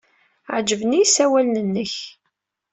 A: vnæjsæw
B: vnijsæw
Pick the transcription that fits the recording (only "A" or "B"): B